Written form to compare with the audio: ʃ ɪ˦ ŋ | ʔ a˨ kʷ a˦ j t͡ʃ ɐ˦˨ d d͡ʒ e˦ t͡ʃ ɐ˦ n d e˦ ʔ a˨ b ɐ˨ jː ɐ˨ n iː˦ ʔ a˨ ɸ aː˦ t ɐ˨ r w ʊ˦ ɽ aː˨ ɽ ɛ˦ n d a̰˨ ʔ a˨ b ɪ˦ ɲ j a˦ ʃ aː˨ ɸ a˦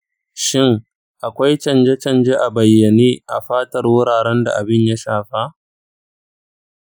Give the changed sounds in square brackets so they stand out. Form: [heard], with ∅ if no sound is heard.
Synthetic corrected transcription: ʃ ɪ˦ ŋ | ʔ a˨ kʷ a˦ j t͡ʃ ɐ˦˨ [n] d͡ʒ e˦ t͡ʃ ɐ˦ n [d͡ʒ] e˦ ʔ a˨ b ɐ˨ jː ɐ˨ n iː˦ ʔ a˨ ɸ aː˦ t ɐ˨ r w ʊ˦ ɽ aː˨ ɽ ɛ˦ n d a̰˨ ʔ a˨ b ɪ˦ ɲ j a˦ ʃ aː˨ ɸ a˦

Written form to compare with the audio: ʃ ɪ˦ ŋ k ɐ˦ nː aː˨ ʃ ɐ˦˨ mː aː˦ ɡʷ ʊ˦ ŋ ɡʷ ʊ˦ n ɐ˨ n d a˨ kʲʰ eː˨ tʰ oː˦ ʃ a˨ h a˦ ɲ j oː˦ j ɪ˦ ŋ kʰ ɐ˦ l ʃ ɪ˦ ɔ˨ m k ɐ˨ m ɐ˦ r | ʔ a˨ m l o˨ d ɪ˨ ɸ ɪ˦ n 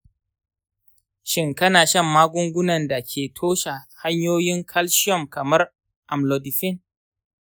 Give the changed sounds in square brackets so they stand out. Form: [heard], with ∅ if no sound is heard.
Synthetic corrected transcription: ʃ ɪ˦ ŋ k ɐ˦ [n] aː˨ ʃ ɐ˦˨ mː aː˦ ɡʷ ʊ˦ ŋ ɡʷ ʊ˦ n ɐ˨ n d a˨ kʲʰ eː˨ tʰ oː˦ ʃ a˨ h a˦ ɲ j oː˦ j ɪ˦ ŋ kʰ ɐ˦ l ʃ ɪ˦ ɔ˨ m k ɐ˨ m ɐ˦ r | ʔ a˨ m l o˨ d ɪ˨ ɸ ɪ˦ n

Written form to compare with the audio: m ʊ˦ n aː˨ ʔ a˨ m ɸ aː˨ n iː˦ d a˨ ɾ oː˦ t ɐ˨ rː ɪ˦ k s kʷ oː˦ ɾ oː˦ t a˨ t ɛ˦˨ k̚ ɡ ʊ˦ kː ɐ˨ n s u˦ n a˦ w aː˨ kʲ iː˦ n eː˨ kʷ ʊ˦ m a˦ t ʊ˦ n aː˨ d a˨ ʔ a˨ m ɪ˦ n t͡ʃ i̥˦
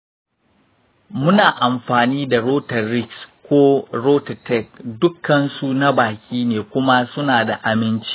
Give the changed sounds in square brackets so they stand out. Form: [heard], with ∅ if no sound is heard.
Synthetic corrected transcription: m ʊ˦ n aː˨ ʔ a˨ m ɸ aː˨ n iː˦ d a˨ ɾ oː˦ t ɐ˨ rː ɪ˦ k s kʷ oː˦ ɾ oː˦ t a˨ t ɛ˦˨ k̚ [d] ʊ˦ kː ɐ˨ n s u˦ n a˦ [b] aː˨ kʲ iː˦ n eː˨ kʷ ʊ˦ m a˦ [s] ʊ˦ n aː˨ d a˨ ʔ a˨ m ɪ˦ n t͡ʃ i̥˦

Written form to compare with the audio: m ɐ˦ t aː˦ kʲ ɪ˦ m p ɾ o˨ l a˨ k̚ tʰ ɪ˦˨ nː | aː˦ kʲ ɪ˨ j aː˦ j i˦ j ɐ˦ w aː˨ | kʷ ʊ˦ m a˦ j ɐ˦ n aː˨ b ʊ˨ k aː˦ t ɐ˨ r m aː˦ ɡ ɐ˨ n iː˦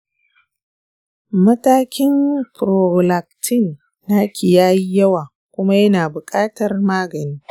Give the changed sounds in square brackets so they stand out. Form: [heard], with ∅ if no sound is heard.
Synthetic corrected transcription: m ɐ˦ t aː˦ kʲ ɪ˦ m p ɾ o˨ l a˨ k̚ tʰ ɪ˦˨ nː | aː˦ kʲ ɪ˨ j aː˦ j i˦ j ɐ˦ w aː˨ | kʷ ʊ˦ m a˦ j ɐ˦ n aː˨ b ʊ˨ [kʼ] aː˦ t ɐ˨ r m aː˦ ɡ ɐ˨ n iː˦

